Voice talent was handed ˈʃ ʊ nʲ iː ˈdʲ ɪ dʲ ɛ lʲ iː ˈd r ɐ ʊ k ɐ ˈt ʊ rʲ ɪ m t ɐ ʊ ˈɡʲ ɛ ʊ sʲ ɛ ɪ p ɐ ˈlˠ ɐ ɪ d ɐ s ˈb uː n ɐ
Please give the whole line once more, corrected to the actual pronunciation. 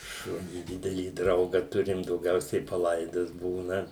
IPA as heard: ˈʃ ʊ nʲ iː ˈdʲ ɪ dʲ ɛ lʲ iː ˈd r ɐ ʊ ɡ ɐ ˈt ʊ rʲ ɪ m d ɐ ʊ ˈɡʲ ɛ ʊ sʲ ɛ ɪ p ɐ ˈlˠ ɐ ɪ d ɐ s ˈb uː n ɐ